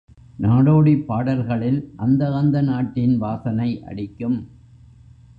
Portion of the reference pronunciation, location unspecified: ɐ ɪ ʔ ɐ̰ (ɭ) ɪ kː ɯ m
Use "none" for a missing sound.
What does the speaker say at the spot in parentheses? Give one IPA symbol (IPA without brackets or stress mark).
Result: ɽ